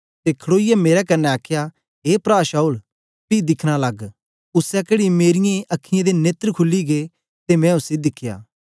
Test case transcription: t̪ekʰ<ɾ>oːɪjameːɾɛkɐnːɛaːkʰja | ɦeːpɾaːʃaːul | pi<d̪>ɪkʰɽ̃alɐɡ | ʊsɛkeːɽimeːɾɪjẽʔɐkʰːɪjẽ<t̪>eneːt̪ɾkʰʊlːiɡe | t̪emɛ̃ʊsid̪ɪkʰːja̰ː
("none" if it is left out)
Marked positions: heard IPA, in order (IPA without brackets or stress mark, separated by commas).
ɽ, d̪, d̪